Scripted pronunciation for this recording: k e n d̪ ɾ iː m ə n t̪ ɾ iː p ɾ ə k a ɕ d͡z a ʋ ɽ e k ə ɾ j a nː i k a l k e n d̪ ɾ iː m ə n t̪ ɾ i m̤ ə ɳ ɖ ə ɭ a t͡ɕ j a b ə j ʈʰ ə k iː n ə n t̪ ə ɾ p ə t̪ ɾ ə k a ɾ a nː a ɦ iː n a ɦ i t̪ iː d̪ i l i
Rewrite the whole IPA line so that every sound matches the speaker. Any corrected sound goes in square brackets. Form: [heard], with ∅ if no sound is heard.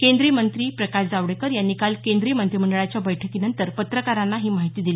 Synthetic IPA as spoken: k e n d̪ ɾ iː m ə n t̪ ɾ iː p ɾ ə k a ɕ d͡z a ʋ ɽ e k ə ɾ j a nː i k a l k e n d̪ ɾ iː m ə n t̪ ɾ i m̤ ə ɳ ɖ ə ɭ a t͡ɕ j a b ə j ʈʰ ə k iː n ə n t̪ ə ɾ p ə t̪ ɾ ə k a ɾ a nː a ɦ iː [m] a ɦ i t̪ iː d̪ i l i